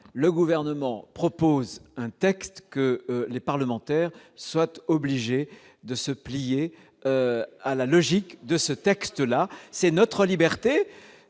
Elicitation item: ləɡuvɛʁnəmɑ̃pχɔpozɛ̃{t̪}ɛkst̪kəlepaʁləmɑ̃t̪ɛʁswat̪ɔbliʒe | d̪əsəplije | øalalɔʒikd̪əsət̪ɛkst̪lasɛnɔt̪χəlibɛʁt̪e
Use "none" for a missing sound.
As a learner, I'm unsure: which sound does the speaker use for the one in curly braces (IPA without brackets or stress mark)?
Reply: t̪